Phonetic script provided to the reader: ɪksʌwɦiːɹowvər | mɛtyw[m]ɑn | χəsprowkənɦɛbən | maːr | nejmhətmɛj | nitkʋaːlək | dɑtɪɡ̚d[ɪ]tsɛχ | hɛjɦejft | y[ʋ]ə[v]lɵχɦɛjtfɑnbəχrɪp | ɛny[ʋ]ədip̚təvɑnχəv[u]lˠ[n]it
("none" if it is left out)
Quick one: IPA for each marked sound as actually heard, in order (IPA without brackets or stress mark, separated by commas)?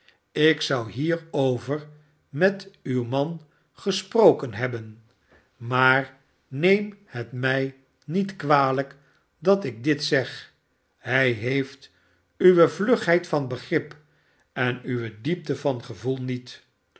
m, ɪ, ʋ, v, ʋ, u, n